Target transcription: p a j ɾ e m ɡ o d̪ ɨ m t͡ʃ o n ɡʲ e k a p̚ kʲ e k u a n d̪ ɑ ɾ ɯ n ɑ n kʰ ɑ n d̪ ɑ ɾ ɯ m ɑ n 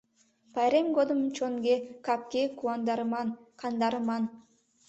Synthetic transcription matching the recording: p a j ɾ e m ɡ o d̪ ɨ m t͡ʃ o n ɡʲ e k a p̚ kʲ e k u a n d̪ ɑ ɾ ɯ m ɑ n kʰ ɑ n d̪ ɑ ɾ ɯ m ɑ n

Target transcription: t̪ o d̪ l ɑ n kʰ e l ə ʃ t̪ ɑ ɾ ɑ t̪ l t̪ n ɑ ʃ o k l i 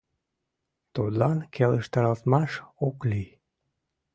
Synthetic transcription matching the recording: t̪ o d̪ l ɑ n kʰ e l ə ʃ t̪ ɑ ɾ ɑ l t̪ m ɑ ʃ o k l i

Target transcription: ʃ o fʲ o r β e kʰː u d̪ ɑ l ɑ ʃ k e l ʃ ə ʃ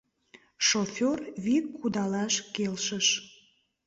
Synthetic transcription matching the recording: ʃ o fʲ o r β i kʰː u d̪ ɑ l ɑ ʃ k e l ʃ ə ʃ

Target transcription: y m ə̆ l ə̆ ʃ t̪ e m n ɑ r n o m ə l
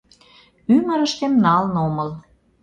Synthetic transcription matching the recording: y m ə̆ ɾ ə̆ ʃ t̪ e m n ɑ l n o m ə l

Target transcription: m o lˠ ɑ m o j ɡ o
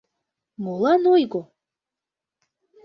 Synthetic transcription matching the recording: m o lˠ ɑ n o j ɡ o

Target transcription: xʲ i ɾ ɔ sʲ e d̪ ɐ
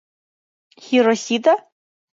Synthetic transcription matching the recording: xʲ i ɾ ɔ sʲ i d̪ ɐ

